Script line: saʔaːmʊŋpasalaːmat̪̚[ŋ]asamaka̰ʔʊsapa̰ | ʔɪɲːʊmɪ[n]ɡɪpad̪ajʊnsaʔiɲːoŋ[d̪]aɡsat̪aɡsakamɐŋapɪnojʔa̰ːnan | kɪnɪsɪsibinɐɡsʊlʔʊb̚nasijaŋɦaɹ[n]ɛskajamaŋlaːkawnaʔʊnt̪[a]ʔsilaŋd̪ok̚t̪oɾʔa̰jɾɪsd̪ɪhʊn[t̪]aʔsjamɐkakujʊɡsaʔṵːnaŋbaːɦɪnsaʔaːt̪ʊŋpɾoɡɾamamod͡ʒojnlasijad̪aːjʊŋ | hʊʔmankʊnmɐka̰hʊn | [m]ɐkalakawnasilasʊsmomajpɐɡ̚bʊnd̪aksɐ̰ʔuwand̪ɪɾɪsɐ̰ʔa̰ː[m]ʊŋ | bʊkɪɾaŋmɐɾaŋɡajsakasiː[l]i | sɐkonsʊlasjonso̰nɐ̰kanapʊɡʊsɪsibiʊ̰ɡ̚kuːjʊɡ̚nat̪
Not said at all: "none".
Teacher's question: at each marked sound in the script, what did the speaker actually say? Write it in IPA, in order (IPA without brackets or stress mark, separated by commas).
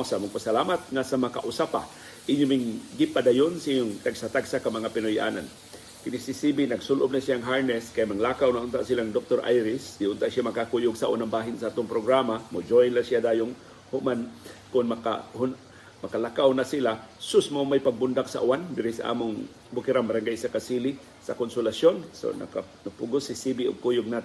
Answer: ŋ, ŋ, t̪, n, a, t̪, m, m, l